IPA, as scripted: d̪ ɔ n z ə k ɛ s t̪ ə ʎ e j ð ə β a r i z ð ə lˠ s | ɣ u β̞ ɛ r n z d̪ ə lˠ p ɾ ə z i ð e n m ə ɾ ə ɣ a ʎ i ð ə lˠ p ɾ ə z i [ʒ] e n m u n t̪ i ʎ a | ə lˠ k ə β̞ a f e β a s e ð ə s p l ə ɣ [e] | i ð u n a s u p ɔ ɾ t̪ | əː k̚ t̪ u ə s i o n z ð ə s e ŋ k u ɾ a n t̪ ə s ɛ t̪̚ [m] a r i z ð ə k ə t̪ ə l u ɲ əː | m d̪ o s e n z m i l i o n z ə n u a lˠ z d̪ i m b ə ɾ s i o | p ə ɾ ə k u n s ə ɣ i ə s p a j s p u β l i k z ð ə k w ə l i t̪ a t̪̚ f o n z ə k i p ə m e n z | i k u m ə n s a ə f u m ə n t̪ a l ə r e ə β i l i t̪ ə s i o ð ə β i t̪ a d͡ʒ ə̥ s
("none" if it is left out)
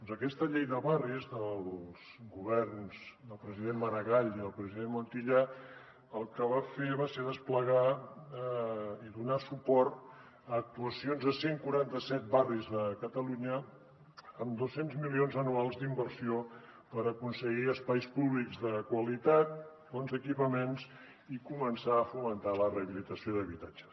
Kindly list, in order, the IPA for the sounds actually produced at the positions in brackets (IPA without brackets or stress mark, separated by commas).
ð, a, b